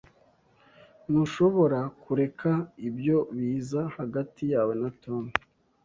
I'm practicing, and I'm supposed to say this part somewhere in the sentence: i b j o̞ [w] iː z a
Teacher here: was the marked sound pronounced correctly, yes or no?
no